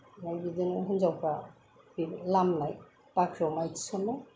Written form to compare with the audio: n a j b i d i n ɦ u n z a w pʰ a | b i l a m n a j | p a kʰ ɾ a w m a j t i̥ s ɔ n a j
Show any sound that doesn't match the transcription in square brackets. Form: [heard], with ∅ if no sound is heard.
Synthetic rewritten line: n a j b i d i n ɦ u n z a w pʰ a | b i l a m n a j | p a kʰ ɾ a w m a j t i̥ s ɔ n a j